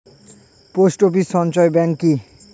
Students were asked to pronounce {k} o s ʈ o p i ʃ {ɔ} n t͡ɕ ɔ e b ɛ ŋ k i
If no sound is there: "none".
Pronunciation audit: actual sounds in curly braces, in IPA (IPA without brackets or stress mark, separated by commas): p, ɔ